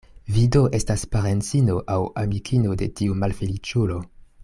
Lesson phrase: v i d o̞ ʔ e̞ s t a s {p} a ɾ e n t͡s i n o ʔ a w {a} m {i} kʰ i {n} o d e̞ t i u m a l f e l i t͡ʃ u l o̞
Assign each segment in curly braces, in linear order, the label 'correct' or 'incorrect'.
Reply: correct, correct, correct, correct

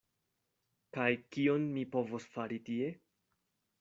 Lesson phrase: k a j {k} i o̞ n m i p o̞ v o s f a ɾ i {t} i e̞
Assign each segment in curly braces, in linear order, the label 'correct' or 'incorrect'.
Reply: correct, correct

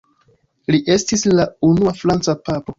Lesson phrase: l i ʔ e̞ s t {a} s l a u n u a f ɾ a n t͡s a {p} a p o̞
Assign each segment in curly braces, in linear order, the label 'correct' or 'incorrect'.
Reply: incorrect, correct

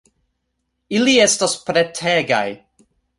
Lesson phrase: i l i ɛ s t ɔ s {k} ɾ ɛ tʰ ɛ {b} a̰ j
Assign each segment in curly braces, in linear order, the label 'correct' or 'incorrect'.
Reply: incorrect, incorrect

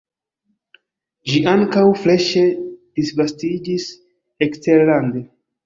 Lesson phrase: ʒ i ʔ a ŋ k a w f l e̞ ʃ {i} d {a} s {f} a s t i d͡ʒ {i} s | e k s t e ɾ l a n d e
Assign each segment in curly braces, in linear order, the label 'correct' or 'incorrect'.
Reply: incorrect, incorrect, incorrect, correct

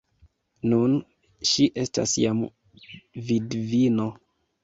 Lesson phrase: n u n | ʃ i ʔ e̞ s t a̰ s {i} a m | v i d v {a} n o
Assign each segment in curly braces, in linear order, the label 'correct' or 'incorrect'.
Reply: incorrect, incorrect

